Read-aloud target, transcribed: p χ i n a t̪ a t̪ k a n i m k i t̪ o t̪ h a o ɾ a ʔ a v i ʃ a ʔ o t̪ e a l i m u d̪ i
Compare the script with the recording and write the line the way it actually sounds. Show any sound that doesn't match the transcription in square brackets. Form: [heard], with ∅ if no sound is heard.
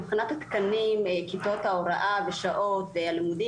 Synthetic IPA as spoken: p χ i n a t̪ a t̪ k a n i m k i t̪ o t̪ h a o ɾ a ʔ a v [e] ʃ a ʔ o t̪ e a l i m u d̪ i